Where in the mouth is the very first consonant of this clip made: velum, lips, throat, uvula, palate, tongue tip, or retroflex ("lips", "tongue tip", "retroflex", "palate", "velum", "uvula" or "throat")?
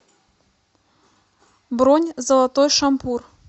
lips